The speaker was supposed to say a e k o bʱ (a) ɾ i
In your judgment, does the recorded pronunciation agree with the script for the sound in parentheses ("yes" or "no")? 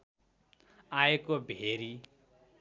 no